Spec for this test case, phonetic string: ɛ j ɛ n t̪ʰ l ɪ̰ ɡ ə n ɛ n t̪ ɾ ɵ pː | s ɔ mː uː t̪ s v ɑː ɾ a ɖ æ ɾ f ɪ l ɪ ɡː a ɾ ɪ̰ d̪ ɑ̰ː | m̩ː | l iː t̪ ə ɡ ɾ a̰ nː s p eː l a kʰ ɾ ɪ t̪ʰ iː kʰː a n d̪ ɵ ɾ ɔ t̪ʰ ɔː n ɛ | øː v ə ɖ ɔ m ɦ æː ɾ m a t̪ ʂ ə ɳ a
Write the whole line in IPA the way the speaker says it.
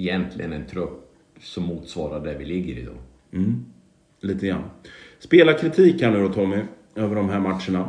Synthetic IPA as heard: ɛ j ɛ n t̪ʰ l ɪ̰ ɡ ə n ɛ n t̪ʰ ɾ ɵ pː | s ɔ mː uː t̪ s v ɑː ɾ a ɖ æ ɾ v ɪ l ɪ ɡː ə ɾ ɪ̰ d̪ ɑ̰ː | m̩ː | l iː t̪ ə ɡ ɾ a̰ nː s p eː l a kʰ ɾ ɪ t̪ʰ iː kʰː a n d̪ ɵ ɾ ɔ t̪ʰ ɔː m ɛ | øː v ə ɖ ɔ m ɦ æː ɾ m a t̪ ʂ ə ɳ a